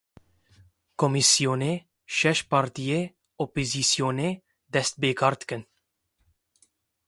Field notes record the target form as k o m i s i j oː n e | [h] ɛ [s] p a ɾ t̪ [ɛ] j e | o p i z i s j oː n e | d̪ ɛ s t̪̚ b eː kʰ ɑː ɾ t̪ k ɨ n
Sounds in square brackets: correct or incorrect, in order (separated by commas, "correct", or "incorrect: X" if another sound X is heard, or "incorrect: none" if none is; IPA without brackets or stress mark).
incorrect: ʃ, incorrect: ʃ, incorrect: i